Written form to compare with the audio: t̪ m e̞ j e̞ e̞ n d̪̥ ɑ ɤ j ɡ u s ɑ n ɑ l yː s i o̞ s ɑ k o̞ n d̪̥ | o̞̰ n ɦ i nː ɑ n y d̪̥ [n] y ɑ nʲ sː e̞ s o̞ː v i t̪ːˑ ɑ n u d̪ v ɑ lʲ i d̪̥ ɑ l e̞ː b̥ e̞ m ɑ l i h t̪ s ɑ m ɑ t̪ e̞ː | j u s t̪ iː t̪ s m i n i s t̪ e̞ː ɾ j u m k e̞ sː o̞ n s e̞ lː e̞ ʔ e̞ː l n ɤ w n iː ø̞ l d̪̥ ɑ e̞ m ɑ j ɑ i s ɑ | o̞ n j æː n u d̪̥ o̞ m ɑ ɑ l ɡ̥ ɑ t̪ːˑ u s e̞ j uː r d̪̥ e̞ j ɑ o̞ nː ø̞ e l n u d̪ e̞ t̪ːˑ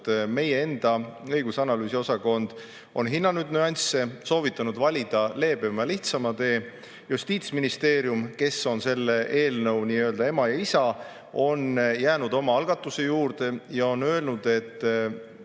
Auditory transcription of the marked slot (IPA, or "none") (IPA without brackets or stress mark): n